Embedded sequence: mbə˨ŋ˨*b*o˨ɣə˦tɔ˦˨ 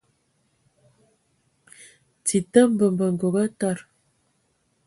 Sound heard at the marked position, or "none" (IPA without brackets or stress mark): ɡ